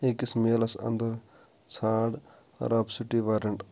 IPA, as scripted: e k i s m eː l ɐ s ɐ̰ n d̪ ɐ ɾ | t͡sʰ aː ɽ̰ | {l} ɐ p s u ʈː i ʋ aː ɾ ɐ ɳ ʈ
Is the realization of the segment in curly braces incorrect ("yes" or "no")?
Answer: yes